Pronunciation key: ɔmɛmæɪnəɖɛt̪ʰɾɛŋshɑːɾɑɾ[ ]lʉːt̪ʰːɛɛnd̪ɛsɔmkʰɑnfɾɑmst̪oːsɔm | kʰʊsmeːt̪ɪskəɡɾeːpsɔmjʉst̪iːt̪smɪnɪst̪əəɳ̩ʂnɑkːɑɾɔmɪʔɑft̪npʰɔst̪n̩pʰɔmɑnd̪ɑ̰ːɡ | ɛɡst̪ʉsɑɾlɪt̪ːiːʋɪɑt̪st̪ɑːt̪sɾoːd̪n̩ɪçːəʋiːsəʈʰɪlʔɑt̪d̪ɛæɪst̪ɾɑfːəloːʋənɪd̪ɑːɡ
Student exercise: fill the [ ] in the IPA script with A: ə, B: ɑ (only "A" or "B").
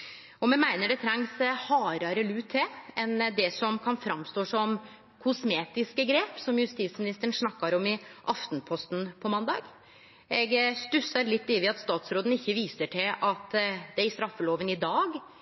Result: A